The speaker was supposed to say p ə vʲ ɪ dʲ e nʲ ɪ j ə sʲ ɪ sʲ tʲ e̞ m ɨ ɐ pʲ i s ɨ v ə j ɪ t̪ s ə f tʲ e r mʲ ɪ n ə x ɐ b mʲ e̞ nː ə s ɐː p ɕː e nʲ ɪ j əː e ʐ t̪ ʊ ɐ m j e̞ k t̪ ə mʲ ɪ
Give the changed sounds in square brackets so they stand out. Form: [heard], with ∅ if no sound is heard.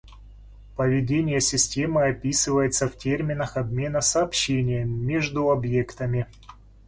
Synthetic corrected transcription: p ə vʲ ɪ dʲ e nʲ ɪ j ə sʲ ɪ sʲ tʲ e̞ m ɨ ɐ pʲ i s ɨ v ə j ɪ t̪ s ə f tʲ e r mʲ ɪ n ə x ɐ b mʲ e̞ [n] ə s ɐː p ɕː e nʲ ɪ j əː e ʐ [d̪] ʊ ɐ [b] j e̞ k t̪ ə mʲ ɪ